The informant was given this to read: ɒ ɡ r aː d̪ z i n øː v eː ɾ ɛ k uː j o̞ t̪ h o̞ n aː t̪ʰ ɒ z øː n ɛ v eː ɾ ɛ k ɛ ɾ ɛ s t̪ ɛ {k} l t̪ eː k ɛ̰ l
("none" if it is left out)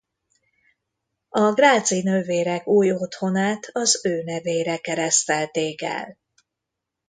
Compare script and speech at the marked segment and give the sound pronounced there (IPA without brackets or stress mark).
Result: none